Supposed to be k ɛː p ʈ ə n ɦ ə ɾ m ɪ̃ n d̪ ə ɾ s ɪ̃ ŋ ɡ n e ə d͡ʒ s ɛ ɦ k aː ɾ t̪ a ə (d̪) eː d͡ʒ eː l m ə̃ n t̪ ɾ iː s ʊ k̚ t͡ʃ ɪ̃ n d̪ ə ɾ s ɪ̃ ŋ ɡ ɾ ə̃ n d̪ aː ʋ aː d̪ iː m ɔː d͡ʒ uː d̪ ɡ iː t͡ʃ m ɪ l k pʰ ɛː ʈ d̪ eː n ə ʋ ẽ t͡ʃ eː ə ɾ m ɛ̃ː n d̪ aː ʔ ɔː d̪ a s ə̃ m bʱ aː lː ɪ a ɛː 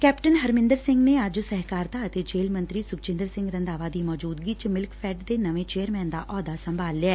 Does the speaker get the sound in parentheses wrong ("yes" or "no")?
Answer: yes